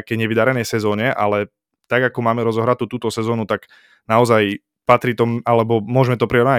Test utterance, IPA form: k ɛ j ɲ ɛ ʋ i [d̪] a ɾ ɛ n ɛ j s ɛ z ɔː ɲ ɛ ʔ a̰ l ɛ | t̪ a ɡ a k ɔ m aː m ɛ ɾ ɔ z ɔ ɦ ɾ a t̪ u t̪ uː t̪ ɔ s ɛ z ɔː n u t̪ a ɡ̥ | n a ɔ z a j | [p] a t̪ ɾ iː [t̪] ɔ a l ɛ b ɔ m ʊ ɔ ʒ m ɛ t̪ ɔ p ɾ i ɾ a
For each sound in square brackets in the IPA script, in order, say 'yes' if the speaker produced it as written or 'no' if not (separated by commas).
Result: yes, yes, yes